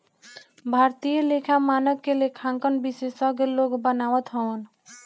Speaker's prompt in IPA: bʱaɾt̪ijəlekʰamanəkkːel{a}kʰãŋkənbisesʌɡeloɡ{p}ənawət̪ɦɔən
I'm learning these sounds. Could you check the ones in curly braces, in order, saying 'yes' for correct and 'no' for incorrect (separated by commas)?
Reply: no, no